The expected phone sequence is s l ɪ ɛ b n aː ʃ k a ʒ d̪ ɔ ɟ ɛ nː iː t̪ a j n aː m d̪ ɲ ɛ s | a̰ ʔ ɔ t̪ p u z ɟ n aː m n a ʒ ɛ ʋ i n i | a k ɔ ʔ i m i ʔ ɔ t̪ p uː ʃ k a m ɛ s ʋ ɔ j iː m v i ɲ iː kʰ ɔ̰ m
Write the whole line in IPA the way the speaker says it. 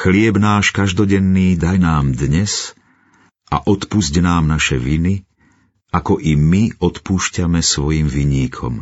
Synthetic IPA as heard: x l ɪ ɛ b n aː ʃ k a ʒ d̪ ɔ ɟ ɛ nː iː d̪ a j n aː m d̪ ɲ ɛ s | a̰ ʔ ɔ t̪ p u z ɟ n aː m n a ʃ ɛ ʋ i n i | a k ɔ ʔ i m i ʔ ɔ t̪ p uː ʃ c a m ɛ s ʋ ɔ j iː m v i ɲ iː kʰ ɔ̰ m